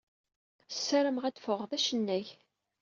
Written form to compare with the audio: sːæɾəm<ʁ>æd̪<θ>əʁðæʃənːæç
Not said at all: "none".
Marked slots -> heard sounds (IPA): ʁ, f

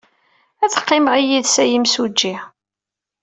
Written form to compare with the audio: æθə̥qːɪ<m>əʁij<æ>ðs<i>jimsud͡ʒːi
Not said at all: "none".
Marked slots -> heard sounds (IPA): m, i, æ

